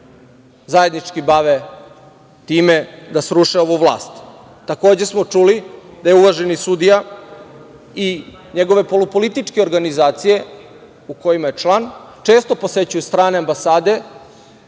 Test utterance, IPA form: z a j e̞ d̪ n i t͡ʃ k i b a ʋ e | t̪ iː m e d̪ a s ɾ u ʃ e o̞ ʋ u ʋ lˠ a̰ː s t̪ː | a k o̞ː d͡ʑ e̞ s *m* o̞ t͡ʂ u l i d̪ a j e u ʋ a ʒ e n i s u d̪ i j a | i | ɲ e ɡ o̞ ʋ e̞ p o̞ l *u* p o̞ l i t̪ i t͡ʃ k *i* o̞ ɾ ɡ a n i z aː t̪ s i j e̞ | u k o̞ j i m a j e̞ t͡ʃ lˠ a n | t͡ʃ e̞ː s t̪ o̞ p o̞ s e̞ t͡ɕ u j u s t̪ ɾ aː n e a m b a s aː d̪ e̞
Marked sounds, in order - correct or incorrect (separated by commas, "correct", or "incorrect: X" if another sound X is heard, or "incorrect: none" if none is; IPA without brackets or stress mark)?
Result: correct, correct, incorrect: e